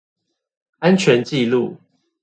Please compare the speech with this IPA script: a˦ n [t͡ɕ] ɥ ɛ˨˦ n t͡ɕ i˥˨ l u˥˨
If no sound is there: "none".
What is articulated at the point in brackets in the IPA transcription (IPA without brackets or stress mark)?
t͡ɕʰ